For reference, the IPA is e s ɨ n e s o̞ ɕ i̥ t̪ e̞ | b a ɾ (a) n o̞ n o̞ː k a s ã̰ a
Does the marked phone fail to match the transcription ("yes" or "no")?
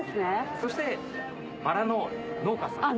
no